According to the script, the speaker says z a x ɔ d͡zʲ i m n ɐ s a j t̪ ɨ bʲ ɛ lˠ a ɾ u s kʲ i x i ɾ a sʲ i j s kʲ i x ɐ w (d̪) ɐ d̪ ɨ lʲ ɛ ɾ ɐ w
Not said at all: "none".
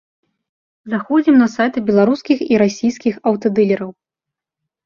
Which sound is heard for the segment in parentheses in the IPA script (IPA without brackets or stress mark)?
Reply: t̪